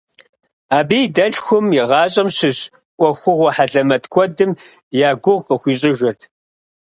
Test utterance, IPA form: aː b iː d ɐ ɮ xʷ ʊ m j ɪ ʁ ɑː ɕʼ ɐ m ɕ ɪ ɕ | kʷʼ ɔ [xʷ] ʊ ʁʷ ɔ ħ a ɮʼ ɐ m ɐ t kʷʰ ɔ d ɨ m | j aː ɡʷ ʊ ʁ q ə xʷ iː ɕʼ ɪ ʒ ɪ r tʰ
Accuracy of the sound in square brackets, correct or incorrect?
correct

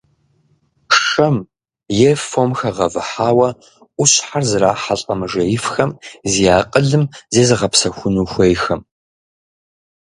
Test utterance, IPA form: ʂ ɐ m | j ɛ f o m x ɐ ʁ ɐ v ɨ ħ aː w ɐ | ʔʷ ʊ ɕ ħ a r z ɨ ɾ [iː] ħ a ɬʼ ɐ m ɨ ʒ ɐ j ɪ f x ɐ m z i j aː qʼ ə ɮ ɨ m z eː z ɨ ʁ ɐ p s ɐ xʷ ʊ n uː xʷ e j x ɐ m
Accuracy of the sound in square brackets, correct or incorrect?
incorrect: aː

